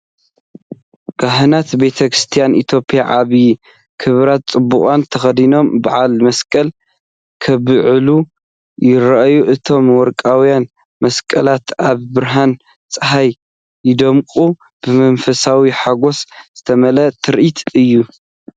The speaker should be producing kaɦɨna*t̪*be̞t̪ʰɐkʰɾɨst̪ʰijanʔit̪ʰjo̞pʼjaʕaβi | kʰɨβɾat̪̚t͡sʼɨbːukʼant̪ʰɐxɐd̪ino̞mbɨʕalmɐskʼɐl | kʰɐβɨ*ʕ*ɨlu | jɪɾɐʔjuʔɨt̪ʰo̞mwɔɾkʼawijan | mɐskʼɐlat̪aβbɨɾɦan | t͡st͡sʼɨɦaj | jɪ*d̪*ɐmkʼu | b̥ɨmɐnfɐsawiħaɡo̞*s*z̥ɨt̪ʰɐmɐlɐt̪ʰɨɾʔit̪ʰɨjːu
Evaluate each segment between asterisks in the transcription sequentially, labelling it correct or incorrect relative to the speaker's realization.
correct, correct, correct, correct

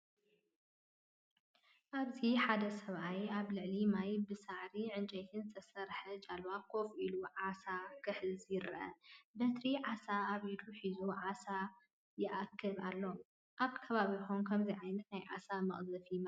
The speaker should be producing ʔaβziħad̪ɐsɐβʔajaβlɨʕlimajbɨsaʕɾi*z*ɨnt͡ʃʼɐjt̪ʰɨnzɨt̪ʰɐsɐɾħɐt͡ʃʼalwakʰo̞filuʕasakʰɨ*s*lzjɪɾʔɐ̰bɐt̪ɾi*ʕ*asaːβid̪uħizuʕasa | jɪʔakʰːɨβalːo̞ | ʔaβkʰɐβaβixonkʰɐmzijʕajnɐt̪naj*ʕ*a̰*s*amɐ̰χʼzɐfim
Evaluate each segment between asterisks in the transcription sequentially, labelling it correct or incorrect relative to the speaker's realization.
incorrect: ʕ, incorrect: ħ, correct, correct, correct

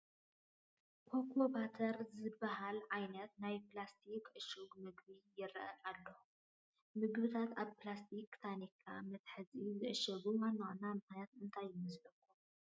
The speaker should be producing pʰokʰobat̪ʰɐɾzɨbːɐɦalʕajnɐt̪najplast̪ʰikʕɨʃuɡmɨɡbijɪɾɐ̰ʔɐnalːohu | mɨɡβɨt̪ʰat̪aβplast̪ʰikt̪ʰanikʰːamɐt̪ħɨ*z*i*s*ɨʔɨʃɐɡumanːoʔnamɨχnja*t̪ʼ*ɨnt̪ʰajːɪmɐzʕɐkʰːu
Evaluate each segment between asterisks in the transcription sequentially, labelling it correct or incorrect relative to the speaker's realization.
correct, incorrect: z, incorrect: t̪

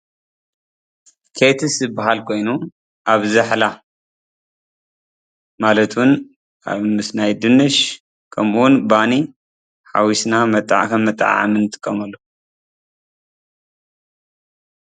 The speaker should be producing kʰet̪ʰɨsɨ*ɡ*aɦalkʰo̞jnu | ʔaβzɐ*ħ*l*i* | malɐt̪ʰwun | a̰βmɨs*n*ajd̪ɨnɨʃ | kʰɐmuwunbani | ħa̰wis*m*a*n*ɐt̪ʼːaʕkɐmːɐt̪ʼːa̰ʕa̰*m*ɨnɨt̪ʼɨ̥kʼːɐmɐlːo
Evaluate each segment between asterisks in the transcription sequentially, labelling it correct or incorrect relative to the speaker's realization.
incorrect: b, correct, incorrect: a, correct, incorrect: n, incorrect: m, correct

